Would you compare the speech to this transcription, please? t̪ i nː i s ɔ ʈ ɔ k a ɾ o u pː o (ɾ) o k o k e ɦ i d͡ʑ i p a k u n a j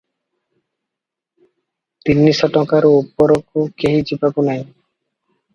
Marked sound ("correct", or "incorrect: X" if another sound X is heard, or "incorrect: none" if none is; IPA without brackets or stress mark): correct